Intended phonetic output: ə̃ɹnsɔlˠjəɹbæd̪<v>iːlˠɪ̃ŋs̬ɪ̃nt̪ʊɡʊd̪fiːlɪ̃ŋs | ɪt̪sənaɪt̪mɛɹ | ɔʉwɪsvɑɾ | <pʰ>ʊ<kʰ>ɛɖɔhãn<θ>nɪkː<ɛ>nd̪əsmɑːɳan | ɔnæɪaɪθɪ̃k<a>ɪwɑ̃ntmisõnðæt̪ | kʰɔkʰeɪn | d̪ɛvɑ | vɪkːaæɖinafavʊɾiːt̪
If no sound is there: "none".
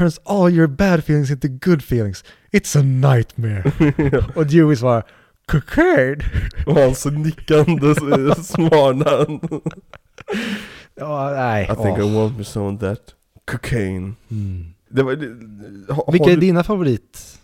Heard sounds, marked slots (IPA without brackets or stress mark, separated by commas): f, kʰ, kʰ, s, a, a